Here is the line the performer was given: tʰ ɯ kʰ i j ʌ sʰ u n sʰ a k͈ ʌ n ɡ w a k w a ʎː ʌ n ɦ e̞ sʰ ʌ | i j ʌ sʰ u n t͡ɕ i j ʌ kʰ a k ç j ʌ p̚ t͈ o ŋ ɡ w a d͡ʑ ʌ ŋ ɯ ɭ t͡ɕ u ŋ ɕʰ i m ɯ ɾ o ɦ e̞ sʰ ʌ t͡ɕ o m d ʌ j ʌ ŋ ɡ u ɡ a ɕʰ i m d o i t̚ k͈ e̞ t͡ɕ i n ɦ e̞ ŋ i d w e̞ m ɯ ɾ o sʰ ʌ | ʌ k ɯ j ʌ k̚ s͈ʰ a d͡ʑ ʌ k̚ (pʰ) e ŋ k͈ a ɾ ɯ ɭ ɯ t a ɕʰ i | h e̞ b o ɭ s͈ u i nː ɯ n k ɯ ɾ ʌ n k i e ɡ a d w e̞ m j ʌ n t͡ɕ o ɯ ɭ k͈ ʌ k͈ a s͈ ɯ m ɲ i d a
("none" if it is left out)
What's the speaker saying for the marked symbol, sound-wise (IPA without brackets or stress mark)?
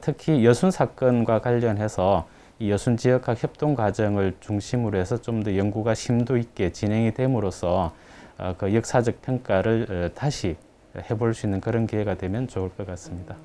pʰ